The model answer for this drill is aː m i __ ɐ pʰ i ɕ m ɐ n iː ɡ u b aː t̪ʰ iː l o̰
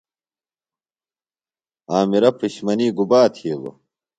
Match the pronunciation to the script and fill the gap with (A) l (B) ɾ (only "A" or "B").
B